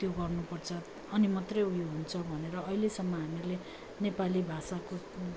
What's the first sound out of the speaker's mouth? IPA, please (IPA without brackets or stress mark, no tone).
t̪